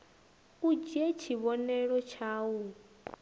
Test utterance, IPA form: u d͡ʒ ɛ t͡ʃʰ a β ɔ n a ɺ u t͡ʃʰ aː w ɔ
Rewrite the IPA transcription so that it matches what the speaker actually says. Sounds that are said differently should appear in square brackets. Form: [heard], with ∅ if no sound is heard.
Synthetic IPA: u d͡ʒ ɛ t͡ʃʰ [i] β ɔ n [ɛ] ɺ [ɔ] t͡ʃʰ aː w [u]